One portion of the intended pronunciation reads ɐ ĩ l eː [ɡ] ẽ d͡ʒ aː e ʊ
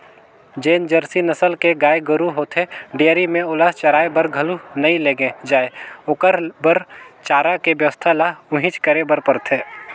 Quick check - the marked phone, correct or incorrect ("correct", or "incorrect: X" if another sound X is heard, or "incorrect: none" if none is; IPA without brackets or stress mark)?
correct